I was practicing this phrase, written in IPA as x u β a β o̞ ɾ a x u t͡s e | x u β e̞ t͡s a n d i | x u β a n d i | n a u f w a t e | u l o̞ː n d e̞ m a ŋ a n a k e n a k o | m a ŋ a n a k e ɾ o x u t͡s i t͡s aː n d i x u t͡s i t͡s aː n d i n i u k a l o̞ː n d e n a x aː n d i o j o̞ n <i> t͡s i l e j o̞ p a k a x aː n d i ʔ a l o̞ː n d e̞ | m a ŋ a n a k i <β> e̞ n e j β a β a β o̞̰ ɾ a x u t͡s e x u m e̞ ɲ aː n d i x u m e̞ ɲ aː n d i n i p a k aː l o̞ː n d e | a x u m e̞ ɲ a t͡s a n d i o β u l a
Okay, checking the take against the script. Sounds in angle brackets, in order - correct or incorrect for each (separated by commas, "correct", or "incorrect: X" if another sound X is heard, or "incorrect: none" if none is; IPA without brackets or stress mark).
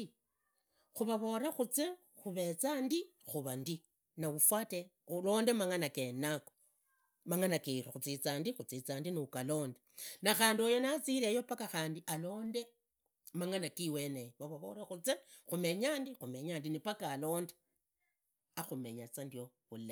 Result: incorrect: a, incorrect: w